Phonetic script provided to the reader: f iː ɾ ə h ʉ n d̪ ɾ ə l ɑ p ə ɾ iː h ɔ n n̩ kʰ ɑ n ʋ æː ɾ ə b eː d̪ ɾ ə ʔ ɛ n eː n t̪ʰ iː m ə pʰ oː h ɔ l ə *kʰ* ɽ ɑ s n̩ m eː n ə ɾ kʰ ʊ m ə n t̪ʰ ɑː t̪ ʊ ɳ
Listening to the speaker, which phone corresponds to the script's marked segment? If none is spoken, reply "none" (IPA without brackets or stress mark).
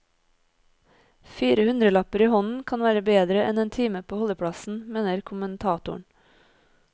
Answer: pʰ